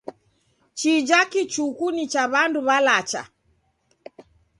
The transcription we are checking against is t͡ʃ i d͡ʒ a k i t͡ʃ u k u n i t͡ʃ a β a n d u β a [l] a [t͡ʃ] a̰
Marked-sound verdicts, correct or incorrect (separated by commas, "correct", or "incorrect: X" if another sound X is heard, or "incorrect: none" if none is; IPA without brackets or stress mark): correct, correct